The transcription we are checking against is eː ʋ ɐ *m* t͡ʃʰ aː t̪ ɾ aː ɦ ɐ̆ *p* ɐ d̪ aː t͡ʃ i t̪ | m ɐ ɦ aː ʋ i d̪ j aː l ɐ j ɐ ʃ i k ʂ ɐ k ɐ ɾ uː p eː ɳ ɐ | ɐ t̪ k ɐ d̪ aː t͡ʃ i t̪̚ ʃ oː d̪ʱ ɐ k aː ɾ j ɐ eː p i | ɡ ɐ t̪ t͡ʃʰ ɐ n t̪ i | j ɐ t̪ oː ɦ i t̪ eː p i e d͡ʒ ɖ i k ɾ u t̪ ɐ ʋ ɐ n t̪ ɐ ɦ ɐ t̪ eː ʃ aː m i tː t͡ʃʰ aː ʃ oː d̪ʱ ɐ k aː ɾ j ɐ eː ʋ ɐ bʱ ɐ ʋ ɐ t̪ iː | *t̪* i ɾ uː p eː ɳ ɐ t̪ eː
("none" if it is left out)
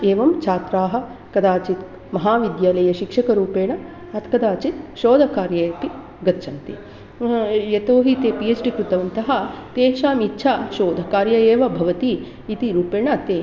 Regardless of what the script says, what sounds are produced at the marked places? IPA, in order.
m, k, t̪

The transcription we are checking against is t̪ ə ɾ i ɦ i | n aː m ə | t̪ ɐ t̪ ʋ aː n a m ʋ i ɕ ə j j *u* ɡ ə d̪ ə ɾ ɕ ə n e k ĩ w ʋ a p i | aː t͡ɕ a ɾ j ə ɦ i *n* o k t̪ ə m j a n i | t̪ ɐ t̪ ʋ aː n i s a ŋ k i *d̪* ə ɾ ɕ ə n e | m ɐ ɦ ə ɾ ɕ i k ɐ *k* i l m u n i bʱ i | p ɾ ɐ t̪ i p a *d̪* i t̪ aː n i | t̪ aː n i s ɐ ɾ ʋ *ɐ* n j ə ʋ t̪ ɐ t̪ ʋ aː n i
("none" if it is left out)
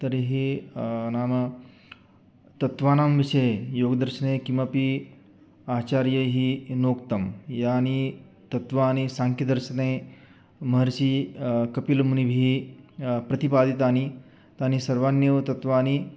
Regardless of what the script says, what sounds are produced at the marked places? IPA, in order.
o, n, d̪, p, d̪, a

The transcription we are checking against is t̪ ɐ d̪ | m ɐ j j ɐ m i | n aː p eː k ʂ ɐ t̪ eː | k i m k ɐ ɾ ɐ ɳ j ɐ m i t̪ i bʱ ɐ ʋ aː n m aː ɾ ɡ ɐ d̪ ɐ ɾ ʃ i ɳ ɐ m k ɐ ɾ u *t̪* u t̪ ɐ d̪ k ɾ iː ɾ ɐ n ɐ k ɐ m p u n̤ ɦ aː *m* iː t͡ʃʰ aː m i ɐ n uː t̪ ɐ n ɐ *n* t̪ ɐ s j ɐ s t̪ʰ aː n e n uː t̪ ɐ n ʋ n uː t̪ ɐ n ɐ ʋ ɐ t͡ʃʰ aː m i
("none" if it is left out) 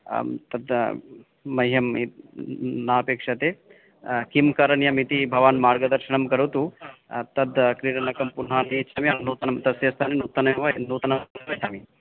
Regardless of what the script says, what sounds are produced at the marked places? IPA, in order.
t̪, n, m

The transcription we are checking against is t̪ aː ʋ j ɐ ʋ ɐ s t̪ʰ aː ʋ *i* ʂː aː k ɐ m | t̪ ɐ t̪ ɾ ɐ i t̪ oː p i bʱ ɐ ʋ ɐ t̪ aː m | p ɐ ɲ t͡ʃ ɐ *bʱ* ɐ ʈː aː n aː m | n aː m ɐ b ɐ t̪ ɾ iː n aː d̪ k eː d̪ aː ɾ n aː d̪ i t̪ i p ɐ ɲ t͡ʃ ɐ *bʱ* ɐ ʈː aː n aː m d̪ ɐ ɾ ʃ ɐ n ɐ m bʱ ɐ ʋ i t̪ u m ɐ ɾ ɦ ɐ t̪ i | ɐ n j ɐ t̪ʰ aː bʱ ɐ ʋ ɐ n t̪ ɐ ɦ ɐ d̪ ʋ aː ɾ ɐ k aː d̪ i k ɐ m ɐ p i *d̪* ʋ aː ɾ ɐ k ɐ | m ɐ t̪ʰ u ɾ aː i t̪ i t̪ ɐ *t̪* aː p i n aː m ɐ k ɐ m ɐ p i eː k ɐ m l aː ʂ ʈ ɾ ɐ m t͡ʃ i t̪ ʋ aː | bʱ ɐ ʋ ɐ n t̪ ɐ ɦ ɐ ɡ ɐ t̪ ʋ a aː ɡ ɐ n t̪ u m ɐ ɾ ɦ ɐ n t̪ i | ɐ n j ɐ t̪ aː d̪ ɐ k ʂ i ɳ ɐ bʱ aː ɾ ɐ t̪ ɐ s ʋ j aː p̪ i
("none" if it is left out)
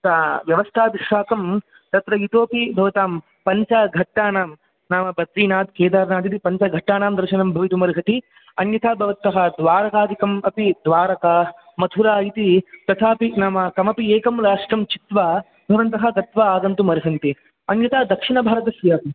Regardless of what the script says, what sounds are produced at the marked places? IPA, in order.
i, ɡʱ, ɡʱ, d̪, t̪ʰ

